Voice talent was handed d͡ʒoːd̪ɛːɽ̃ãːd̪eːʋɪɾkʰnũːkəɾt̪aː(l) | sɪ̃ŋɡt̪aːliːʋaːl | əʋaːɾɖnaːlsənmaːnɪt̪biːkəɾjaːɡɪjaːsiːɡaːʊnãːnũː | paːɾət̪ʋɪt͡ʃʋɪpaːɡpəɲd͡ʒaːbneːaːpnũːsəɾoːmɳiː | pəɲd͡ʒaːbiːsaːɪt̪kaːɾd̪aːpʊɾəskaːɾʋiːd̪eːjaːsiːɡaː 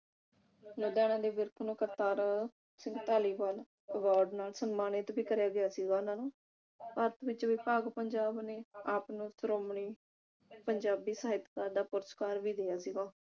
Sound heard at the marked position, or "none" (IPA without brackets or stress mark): ɾ